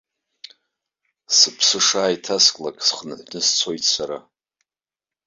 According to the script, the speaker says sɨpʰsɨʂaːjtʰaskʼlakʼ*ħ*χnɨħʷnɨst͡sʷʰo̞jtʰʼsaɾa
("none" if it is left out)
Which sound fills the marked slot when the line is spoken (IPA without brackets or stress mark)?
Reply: s